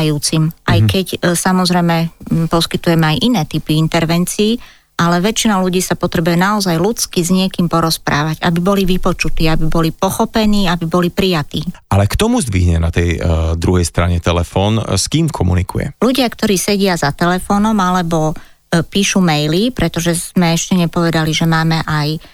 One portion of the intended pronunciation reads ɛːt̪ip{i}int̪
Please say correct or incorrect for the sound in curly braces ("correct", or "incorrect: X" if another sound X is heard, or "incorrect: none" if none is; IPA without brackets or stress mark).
correct